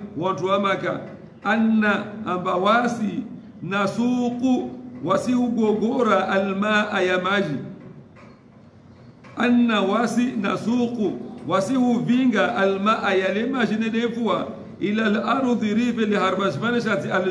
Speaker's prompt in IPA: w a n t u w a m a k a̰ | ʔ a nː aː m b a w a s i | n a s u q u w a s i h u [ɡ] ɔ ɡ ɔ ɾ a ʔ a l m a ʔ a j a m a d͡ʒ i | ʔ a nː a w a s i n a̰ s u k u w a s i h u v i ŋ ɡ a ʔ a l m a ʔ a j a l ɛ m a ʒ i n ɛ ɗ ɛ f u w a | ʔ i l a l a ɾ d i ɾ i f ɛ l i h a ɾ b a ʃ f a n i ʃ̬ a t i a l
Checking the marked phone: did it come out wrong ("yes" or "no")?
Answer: no